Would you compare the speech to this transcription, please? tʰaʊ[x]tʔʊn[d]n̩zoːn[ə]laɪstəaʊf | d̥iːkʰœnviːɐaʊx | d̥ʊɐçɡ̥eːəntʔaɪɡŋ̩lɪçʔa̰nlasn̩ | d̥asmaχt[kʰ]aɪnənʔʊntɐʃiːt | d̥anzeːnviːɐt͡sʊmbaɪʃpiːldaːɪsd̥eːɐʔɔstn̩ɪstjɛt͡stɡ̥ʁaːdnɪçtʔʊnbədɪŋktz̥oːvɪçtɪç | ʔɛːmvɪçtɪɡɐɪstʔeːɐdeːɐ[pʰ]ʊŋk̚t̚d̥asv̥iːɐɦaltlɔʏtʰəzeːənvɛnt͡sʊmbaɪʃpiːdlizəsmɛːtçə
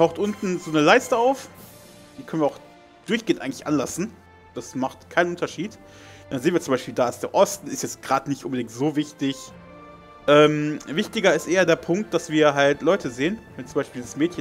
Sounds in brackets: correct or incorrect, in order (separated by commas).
correct, incorrect, correct, correct, correct